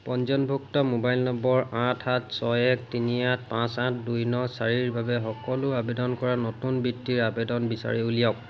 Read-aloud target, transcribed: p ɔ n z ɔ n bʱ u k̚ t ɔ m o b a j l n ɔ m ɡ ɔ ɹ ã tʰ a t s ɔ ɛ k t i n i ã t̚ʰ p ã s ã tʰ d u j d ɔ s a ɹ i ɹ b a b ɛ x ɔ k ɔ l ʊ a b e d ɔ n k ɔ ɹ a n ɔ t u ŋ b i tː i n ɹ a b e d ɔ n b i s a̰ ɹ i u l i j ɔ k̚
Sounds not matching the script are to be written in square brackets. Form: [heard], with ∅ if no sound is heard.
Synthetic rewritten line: p ɔ n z ɔ n bʱ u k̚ t ɔ m o b a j l n ɔ m [b] ɔ ɹ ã tʰ a t s ɔ ɛ k t i n i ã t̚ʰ p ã s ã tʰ d u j [n] ɔ s a ɹ i ɹ b a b ɛ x ɔ k ɔ l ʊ a b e d ɔ n k ɔ ɹ a n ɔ t u [n] b i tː i [∅] ɹ a b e d ɔ n b i s a̰ ɹ i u l i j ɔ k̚

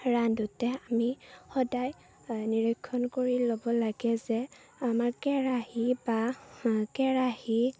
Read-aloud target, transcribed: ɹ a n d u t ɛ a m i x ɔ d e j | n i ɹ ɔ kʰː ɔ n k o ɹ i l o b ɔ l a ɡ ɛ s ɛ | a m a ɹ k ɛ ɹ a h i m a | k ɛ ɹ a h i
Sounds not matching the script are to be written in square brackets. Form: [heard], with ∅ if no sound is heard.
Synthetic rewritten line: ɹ a n d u t ɛ a m i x ɔ d [a] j | n i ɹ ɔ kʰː ɔ n k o ɹ i l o b ɔ l a ɡ ɛ [z] ɛ | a m a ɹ k ɛ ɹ a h i [b] a | k ɛ ɹ a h i

